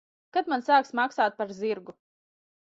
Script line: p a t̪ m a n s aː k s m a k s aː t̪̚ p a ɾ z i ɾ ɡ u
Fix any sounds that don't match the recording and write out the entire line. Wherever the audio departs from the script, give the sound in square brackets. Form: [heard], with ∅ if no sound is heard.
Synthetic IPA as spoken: [k] a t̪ m a n s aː k s m a k s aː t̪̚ p a ɾ z i ɾ ɡ u